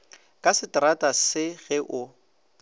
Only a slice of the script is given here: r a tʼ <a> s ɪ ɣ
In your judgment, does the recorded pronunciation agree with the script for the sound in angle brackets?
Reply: yes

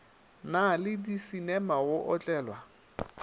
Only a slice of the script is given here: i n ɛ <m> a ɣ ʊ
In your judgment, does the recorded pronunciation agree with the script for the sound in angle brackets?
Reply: yes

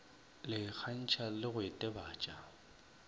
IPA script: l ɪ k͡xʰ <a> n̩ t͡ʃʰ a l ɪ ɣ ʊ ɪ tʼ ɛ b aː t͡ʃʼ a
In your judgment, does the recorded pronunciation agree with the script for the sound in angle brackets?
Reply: yes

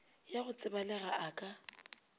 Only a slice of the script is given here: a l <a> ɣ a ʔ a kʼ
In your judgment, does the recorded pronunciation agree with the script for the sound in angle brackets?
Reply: no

